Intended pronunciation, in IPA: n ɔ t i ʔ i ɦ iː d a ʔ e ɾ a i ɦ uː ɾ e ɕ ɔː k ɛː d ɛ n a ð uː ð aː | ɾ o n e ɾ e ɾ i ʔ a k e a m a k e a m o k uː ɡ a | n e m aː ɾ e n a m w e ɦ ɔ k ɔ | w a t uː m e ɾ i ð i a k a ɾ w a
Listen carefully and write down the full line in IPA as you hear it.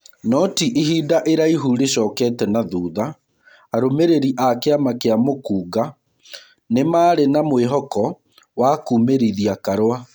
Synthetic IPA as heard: n ɔ t i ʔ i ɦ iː d a ʔ e ɾ a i ɦ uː ɾ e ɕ ɔː k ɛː t ɛ n a ð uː ð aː | ɾ o m e ɾ e ɾ i ʔ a k e a m a k e a m o k uː ɡ a | n e m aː ɾ e n a m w e ɦ ɔ k ɔ | w a k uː m e ɾ i ð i a k a ɾ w a